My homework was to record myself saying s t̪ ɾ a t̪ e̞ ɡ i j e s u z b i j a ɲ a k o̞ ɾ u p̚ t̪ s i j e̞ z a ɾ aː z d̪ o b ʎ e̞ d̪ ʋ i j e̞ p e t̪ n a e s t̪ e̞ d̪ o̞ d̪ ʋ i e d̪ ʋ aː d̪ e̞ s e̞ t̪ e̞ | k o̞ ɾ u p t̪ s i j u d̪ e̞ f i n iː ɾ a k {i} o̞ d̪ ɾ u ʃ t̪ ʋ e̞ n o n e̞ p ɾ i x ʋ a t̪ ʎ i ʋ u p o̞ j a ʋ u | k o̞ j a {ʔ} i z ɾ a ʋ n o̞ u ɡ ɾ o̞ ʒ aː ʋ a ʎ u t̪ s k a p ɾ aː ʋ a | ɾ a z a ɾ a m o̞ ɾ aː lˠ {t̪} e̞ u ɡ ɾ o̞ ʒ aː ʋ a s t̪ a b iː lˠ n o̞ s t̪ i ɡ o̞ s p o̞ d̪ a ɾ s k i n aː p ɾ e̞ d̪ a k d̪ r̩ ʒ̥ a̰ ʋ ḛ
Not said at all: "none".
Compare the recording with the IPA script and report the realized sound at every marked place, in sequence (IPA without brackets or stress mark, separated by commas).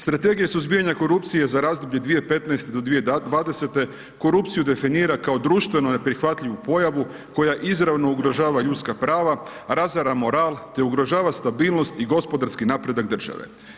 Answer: a, ʔ, t̪